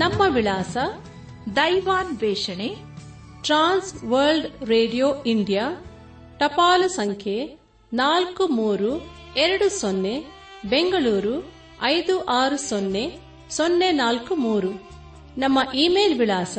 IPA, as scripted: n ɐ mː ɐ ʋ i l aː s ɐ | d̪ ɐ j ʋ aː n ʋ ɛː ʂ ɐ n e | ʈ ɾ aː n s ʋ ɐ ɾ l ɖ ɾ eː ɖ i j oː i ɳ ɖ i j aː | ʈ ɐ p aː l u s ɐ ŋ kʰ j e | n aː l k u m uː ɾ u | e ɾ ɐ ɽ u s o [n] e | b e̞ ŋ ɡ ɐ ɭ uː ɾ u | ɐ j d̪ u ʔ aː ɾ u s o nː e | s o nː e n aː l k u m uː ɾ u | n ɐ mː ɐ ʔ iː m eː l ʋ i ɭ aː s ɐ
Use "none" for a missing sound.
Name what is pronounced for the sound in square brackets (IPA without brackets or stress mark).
nː